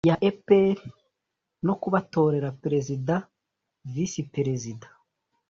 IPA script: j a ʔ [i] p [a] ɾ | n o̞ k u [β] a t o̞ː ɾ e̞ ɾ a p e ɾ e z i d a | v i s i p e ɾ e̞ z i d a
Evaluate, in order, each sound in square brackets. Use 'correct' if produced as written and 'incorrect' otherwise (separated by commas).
incorrect, incorrect, correct